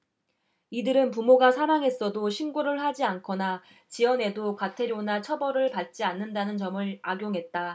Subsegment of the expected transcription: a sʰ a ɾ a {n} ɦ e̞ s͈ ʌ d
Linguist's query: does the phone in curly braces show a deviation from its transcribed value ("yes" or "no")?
yes